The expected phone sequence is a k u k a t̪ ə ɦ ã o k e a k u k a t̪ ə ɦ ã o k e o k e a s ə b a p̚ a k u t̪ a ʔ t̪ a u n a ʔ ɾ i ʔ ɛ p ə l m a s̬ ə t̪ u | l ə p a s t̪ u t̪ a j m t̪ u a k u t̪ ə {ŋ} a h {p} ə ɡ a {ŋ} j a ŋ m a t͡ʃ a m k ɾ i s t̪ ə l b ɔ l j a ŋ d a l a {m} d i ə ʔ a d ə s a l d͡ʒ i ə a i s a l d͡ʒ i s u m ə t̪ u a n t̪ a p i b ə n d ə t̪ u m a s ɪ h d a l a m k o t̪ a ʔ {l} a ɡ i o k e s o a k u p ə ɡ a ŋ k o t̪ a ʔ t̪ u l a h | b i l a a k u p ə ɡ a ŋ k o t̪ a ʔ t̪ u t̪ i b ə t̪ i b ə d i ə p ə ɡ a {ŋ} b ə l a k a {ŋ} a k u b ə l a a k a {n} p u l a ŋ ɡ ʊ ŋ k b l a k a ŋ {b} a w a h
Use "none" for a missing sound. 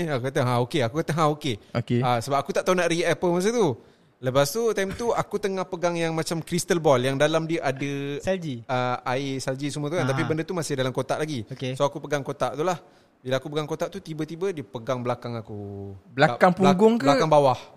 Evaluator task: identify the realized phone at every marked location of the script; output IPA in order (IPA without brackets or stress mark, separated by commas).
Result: ŋ, p, ŋ, m, l, ŋ, ŋ, ŋ, b